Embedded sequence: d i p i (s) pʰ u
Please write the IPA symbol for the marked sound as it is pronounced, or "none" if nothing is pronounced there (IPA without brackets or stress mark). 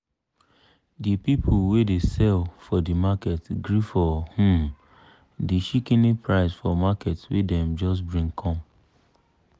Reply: none